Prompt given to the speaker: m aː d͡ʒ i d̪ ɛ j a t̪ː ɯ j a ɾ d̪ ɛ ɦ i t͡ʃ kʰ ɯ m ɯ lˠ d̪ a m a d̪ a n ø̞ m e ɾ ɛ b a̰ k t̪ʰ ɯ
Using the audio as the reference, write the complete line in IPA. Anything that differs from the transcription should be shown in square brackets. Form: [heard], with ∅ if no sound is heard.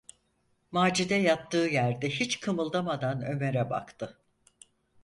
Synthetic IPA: m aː d͡ʒ i d̪ ɛ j a t̪ː [ɯː] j [æ] ɾ d̪ ɛ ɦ i t͡ʃ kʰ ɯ m ɯ lˠ d̪ a m a d̪ a n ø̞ m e ɾ ɛ b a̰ k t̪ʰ ɯ

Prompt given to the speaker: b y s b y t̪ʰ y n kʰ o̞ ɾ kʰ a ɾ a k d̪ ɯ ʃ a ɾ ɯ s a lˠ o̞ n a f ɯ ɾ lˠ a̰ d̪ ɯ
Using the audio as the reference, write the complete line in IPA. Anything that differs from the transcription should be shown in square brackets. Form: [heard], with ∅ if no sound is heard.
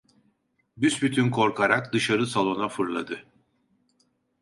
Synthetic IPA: b y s b y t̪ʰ y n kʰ o̞ ɾ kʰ a ɾ a k d̪ ɯ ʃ a ɾ ɯ s a lˠ o̞ n a f ɯ ɾ lˠ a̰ d̪ ɯ

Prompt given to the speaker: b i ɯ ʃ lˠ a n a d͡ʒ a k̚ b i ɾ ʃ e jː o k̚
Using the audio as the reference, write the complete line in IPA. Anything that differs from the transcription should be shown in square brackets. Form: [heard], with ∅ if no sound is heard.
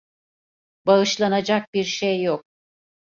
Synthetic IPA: b [a] ɯ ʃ lˠ a n a d͡ʒ a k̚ b i ɾ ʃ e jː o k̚

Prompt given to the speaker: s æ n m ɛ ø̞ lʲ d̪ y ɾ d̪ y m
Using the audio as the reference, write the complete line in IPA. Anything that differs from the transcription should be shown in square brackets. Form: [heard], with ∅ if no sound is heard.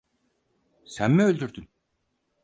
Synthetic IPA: s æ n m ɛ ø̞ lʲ d̪ y ɾ d̪ y [n]

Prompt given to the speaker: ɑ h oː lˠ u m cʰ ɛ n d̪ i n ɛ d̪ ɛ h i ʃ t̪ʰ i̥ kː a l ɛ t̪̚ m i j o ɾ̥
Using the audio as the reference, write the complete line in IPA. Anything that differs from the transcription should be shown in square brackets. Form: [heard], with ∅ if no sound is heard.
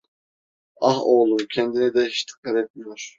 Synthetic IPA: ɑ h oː lˠ u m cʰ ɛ n d̪ i n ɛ d̪ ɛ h i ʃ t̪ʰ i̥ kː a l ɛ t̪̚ m i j o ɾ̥

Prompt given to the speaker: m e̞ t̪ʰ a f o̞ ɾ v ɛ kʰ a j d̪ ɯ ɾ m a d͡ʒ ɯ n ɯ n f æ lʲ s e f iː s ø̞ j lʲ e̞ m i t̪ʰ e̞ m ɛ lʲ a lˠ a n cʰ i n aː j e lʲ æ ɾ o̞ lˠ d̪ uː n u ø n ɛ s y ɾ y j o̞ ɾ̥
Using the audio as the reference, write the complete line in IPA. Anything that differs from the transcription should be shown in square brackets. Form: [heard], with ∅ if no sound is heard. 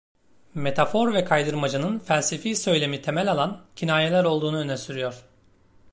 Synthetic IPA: m e̞ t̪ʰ a f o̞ ɾ v ɛ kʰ a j d̪ ɯ ɾ m a d͡ʒ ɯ n ɯ n f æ lʲ s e f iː s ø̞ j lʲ e̞ m i t̪ʰ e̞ m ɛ lʲ a lˠ a n cʰ i n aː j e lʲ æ ɾ o̞ lˠ d̪ uː n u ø n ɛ s y ɾ y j o̞ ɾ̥

